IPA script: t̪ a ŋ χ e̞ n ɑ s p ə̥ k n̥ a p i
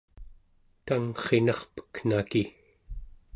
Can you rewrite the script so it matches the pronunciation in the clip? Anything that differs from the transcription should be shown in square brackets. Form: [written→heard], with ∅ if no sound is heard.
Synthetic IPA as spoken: t̪ a ŋ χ e̞ n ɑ [s→χ] p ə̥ k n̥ a [p→k] i